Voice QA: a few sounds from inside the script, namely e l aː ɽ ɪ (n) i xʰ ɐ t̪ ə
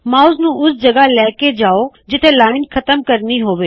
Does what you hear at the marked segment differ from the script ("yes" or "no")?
no